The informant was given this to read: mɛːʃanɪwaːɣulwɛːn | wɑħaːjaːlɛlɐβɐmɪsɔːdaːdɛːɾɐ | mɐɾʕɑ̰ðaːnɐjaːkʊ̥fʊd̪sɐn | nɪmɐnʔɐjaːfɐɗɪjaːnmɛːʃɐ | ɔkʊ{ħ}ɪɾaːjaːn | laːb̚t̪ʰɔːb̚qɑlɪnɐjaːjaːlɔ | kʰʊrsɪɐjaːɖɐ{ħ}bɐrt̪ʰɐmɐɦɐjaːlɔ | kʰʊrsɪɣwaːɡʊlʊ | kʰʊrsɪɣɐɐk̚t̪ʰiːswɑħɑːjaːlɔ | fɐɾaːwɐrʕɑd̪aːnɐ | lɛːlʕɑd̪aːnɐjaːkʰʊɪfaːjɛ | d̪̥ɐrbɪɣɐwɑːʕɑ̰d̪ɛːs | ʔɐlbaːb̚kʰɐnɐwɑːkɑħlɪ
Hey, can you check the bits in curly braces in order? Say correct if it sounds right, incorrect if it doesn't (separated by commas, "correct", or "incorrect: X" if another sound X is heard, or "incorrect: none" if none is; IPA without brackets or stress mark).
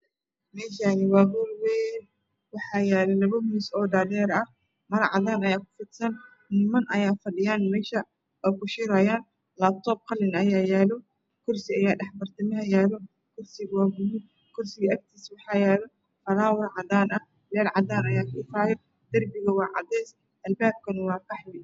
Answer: incorrect: ʃ, correct